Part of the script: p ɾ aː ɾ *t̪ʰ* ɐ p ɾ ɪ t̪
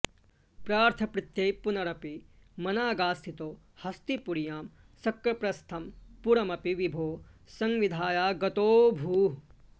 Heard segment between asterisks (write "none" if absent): t̪ʰ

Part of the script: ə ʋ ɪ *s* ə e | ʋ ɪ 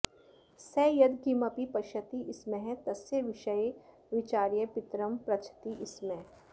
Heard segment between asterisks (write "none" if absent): ʃ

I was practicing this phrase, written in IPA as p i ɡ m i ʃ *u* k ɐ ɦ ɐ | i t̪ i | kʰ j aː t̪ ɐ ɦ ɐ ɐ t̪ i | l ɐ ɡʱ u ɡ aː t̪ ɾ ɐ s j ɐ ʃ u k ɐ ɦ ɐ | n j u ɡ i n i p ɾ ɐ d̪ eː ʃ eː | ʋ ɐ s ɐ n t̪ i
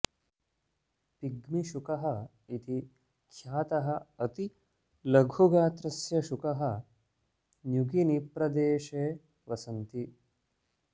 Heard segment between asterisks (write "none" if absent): u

